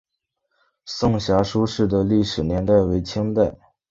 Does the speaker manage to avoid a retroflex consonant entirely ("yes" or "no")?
no